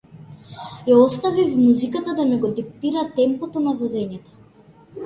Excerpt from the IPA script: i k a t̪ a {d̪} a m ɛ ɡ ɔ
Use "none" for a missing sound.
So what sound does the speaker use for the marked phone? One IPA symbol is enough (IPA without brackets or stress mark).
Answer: d̪